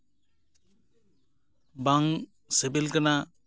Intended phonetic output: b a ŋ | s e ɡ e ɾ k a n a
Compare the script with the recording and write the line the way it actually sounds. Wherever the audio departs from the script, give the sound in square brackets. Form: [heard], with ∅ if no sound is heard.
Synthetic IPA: b a ŋ | s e [b] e [l] k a n a